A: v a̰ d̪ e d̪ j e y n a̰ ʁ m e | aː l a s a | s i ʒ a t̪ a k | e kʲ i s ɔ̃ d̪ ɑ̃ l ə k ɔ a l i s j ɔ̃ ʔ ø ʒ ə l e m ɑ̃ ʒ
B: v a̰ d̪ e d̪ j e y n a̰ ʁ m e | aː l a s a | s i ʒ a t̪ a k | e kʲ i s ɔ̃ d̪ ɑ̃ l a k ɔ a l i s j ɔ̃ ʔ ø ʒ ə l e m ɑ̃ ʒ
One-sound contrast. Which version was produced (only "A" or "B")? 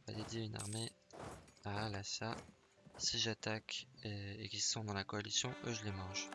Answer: B